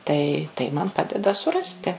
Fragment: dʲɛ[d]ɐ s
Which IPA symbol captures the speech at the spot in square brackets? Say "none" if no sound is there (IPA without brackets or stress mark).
d